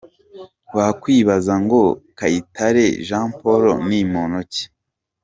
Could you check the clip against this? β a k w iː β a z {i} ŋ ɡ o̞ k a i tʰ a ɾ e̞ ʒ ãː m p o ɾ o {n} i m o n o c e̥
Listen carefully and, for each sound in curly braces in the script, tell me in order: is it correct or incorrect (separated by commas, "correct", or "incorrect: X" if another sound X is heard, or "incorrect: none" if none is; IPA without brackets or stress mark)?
incorrect: a, correct